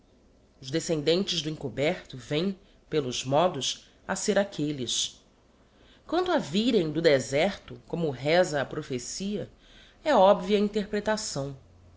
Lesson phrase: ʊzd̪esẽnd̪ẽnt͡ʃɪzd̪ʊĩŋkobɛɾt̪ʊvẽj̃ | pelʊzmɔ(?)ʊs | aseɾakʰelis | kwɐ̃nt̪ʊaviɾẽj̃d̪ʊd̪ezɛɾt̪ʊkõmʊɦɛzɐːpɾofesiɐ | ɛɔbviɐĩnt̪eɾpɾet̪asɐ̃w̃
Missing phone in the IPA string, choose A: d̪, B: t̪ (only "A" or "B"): A